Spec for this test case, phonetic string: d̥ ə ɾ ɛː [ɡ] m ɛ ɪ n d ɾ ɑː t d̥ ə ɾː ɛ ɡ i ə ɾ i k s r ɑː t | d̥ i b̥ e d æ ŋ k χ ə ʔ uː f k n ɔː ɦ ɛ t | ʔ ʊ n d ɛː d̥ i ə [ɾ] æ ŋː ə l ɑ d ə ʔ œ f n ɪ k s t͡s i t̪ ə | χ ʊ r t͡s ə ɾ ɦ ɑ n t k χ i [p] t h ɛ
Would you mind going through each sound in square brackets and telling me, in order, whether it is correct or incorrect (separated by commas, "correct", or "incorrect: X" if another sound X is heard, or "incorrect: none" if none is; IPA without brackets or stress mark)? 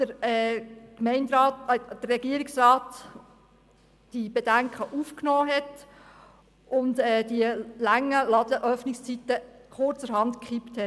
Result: incorrect: k, incorrect: l, correct